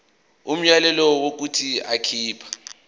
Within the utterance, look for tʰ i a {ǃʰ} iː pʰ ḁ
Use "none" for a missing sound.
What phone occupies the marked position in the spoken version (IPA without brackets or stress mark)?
kʰ